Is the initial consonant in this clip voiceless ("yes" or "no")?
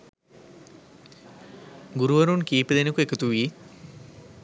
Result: no